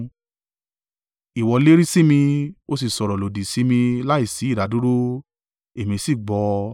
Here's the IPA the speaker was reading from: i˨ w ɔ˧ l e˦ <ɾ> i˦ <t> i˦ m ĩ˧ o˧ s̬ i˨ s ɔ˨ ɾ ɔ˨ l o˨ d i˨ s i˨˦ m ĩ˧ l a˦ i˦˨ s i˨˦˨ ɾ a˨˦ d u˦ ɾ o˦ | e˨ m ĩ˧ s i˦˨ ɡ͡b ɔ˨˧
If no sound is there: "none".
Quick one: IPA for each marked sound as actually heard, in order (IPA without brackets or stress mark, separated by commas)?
ɾ, s